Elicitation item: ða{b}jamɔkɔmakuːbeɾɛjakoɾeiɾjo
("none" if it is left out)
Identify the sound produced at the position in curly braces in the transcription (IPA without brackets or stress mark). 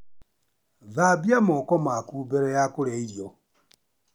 b